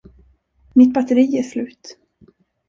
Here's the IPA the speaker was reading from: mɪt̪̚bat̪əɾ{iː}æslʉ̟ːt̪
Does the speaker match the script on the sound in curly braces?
yes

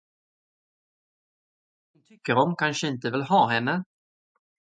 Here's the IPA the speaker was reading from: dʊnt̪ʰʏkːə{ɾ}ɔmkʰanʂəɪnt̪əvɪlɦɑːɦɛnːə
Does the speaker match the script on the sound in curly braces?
yes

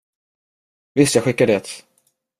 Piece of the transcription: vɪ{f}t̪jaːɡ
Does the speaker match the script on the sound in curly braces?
no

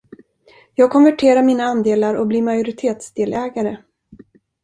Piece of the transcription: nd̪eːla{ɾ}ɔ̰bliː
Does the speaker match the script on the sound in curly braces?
yes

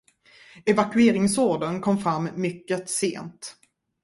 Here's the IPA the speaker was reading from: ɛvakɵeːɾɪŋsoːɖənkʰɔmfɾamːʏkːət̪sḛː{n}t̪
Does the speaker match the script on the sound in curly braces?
yes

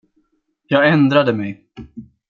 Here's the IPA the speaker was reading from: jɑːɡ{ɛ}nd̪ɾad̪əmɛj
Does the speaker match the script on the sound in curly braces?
yes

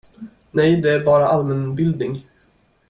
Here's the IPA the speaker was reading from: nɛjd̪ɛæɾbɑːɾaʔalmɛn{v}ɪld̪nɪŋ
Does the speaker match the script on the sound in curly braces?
no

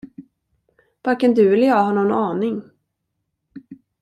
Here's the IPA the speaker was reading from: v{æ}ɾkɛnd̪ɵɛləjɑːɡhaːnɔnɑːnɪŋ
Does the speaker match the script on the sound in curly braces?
no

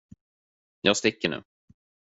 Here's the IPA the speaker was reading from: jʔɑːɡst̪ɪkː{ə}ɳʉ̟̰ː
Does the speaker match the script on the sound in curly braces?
yes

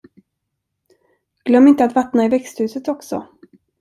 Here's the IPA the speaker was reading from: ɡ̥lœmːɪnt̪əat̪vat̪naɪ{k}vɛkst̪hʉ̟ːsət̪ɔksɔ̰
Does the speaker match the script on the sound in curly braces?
no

